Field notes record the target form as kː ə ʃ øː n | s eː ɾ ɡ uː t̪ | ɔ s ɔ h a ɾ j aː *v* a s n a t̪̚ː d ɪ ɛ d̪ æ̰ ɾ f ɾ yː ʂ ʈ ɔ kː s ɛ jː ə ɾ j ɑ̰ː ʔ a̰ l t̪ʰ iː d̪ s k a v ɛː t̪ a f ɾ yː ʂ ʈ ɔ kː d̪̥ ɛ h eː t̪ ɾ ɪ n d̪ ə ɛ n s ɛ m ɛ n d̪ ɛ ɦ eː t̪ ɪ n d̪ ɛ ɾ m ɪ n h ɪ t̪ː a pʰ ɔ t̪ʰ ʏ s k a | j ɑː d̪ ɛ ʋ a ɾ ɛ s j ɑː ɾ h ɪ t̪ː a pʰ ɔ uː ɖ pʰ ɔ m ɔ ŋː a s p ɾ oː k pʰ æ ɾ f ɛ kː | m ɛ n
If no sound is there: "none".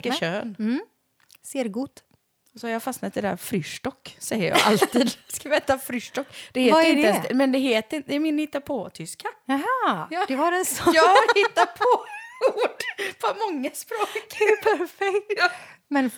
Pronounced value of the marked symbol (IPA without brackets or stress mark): f